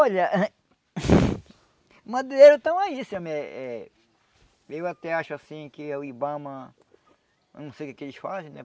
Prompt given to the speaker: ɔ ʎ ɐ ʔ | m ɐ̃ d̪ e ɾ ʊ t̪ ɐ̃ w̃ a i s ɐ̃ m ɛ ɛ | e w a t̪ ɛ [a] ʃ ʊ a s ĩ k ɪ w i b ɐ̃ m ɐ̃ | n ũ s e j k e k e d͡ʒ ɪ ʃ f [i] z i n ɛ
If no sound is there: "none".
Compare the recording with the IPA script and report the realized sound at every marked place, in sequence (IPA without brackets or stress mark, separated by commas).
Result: a, a